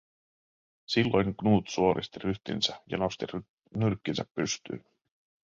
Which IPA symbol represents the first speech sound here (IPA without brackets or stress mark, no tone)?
s